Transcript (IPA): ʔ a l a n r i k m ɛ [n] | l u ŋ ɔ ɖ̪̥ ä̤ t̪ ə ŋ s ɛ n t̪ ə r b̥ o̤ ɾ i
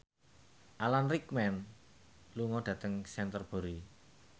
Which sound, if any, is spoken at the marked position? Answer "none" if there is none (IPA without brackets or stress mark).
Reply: n